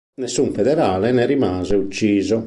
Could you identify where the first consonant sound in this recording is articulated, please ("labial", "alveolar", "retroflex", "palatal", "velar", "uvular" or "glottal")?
alveolar